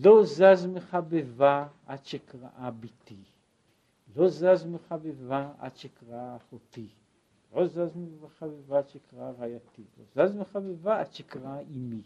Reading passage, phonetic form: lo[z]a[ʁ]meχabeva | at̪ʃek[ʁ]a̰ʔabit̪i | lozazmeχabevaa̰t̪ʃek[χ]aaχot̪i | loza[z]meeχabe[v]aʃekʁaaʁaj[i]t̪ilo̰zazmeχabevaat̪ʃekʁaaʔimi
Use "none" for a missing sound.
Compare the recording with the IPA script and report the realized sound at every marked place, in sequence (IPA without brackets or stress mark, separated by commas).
z, z, ʁ, ʁ, z, v, a